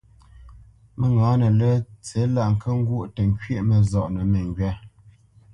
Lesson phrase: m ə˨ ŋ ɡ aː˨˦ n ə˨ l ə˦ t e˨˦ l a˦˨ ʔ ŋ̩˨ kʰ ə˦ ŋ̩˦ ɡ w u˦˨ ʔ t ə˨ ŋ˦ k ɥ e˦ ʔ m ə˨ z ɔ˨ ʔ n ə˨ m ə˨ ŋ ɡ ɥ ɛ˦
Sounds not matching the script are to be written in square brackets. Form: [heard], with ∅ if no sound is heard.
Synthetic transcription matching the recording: m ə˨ ŋ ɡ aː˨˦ n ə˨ l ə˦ [t͡s] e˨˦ l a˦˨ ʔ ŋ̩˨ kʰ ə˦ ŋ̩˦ ɡ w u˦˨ ʔ t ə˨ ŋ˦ k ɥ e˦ ʔ m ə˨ z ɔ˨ ʔ n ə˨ m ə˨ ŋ ɡ ɥ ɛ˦